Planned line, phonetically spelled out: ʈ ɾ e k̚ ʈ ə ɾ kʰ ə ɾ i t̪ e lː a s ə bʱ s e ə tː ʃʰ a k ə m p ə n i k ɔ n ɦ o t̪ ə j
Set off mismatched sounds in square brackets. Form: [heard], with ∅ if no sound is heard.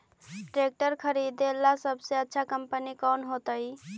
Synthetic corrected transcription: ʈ ɾ e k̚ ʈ ə ɾ kʰ ə ɾ i [d̪] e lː a s ə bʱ s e ə tː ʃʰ a k ə m p ə n i k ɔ n ɦ o t̪ ə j